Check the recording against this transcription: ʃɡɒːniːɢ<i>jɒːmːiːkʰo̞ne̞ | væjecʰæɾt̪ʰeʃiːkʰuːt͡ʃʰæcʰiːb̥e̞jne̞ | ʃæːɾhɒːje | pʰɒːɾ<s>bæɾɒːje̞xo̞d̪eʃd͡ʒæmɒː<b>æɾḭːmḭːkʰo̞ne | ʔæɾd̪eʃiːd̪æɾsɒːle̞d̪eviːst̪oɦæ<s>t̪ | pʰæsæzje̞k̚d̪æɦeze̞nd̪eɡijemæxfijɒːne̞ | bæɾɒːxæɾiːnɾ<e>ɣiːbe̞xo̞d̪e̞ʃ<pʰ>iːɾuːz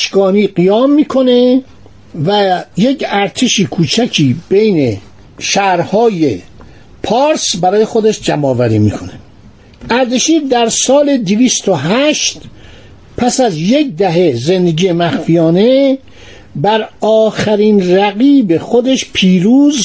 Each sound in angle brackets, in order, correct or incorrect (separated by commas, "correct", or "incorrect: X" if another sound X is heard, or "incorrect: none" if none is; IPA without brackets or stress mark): correct, correct, incorrect: v, incorrect: ʃ, incorrect: æ, correct